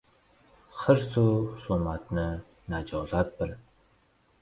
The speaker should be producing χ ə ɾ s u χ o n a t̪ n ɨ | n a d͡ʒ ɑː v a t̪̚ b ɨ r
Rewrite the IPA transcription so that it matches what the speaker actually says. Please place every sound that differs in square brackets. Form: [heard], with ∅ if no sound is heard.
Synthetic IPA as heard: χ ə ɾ s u [s] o [m] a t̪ n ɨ | n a d͡ʒ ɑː [z] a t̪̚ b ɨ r